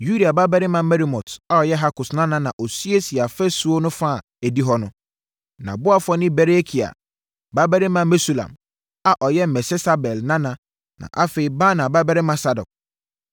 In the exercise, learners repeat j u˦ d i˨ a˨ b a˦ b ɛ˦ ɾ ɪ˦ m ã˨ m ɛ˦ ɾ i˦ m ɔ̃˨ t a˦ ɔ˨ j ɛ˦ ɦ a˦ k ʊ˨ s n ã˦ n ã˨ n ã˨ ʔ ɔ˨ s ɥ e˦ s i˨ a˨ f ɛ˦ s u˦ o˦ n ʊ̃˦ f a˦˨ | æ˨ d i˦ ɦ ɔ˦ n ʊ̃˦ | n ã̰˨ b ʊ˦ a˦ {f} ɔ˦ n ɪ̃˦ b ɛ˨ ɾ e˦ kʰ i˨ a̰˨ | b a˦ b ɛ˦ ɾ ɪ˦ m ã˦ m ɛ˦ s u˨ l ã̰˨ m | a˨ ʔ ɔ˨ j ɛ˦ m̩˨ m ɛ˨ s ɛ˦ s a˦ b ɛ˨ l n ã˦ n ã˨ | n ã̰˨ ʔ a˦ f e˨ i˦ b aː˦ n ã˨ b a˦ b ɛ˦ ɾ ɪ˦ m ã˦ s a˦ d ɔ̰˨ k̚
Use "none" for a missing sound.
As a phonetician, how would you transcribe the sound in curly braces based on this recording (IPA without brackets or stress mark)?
f